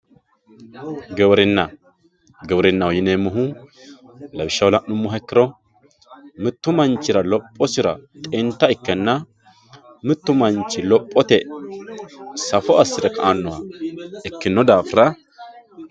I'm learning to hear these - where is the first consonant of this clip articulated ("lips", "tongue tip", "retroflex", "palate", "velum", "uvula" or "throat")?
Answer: velum